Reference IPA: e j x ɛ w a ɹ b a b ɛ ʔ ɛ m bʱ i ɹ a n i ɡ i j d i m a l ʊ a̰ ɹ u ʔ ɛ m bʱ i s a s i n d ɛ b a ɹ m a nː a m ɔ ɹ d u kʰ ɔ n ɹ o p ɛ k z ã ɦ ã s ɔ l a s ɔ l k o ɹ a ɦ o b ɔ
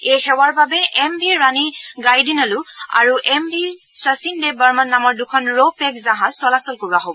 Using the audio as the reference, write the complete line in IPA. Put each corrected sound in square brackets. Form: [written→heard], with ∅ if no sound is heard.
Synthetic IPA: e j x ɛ w a ɹ b a b ɛ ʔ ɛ m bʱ i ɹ a n i ɡ [i→a] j d i [m→n] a l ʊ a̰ ɹ u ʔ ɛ m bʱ i s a s i n d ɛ b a ɹ m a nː a m ɔ ɹ d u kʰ ɔ n ɹ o p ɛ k z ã ɦ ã s ɔ l a s ɔ l k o ɹ a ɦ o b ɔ